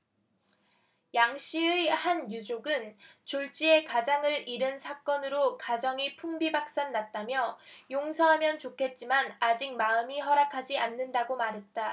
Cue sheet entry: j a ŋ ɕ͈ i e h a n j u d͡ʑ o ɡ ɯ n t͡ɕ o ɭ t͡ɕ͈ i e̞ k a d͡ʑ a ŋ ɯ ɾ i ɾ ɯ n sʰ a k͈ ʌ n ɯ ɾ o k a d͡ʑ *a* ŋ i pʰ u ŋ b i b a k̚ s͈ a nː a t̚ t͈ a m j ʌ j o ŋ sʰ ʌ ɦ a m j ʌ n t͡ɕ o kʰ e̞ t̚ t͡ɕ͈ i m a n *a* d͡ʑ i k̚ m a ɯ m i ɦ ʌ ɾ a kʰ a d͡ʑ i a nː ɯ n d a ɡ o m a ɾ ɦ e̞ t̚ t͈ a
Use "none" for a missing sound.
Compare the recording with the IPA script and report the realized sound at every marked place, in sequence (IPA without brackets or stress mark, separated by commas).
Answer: ʌ, a